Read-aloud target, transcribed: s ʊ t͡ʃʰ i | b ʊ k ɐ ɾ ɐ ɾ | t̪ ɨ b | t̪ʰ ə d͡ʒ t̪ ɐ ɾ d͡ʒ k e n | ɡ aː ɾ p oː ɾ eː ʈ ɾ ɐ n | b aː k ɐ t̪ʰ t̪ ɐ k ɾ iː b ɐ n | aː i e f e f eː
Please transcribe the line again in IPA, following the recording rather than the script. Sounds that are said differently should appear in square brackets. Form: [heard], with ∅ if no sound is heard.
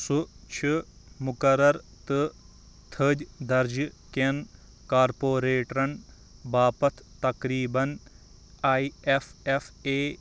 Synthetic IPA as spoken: s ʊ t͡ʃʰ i | [m] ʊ k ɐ ɾ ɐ ɾ | t̪ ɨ [∅] | t̪ʰ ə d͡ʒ [d̪] ɐ ɾ d͡ʒ k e n | [k] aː ɾ p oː ɾ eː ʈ ɾ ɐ n | b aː [p] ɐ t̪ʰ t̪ ɐ k ɾ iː b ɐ n | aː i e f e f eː